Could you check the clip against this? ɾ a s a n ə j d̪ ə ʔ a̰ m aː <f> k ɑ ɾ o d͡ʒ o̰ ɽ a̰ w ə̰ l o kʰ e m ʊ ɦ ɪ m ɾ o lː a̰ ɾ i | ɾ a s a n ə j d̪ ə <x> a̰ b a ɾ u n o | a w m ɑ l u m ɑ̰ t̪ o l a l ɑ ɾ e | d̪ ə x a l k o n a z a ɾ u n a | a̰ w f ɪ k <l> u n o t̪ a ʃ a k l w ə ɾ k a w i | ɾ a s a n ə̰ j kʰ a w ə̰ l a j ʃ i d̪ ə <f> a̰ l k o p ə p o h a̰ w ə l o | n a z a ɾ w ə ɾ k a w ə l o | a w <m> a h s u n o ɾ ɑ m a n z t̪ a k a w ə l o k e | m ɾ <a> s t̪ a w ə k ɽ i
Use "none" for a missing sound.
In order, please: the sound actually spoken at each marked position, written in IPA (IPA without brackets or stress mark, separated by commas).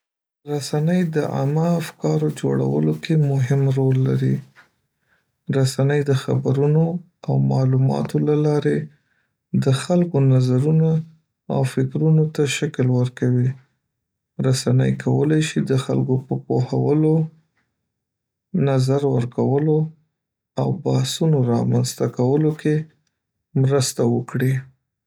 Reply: f, x, ɾ, x, b, ə